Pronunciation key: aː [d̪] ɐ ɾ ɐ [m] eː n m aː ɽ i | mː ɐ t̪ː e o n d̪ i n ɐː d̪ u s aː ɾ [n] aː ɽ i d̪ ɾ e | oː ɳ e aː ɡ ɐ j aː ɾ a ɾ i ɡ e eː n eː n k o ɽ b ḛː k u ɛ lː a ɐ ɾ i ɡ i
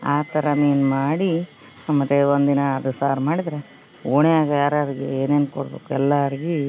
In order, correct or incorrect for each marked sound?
incorrect: t̪, correct, incorrect: m

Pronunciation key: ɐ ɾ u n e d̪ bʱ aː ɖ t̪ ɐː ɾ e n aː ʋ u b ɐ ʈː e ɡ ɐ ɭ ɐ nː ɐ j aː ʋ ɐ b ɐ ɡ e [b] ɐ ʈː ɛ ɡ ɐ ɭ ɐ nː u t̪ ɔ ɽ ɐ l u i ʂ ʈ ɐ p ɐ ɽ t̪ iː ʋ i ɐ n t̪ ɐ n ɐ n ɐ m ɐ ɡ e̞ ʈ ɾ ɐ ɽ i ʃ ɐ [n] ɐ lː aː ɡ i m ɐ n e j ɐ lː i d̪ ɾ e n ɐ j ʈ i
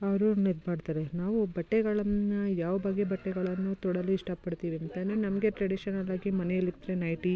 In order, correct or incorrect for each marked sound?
correct, correct

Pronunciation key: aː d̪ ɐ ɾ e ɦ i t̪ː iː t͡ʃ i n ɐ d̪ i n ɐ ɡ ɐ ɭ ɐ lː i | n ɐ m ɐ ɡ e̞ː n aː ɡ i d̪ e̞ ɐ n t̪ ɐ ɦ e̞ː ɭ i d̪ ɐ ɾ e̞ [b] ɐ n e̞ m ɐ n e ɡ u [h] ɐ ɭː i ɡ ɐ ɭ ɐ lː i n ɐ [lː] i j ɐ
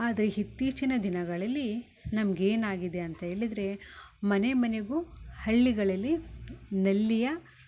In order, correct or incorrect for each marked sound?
incorrect: m, correct, correct

